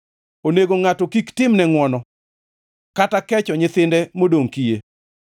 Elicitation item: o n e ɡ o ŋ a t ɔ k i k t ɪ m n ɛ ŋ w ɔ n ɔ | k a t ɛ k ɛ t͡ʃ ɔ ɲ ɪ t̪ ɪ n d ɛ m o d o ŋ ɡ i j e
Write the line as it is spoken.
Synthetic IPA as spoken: o n e ɡ o ŋ a t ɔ k i k t ɪ m n ɛ ŋ w ɔ n ɔ | k a t a k ɛ t͡ʃ ɔ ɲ ɪ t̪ ɪ n d ɛ m o d o ŋ k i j e

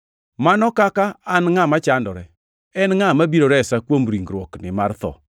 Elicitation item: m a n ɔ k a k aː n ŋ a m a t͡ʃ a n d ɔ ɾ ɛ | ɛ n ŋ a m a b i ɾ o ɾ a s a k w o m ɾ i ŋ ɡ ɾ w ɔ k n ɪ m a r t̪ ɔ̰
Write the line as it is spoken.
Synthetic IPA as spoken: m a n ɔ k a k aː n ŋ a m a t͡ʃ a n d ɔ ɾ ɛ | ɛ n ŋ a m a b i ɾ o ɾ ɛ s a k w o m ɾ i ŋ ɡ ɾ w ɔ k n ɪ m a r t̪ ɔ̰

